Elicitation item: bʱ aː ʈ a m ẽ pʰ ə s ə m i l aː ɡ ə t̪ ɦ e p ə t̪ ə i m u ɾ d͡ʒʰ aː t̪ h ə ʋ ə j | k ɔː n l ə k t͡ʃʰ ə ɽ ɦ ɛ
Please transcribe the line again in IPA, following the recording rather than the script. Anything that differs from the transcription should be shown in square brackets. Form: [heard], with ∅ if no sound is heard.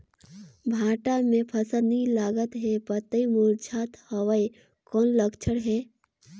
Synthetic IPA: bʱ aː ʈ a m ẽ pʰ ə s ə [n] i l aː ɡ ə t̪ ɦ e p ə t̪ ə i m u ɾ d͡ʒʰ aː t̪ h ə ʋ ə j | k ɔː n l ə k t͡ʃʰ ə ɽ ɦ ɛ